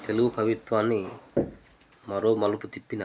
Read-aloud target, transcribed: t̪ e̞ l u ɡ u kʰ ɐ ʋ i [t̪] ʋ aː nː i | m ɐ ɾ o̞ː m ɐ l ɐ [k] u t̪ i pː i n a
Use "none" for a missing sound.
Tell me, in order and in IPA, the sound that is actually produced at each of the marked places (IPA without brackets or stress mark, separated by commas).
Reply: t̪, p